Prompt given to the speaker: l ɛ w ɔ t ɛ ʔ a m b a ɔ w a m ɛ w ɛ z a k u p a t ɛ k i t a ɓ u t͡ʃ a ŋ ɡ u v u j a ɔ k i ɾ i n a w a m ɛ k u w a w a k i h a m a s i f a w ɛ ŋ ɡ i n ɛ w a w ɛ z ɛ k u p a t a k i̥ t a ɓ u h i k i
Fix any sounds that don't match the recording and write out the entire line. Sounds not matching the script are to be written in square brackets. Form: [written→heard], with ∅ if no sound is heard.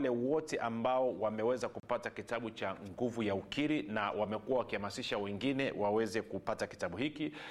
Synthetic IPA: l ɛ w ɔ t ɛ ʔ a m b a ɔ w a m ɛ w ɛ z a k u p a t [ɛ→a] k i t a ɓ u t͡ʃ a ŋ ɡ u v u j a [ɔ→u] k i ɾ i n a w a m ɛ k u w a w a k i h a m a s i [f→ʃ] a w ɛ ŋ ɡ i n ɛ w a w ɛ z ɛ k u p a t a k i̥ t a ɓ u h i k i